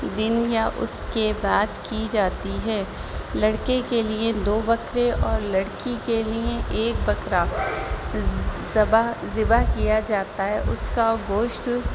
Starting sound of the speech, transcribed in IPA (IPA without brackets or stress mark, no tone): d̪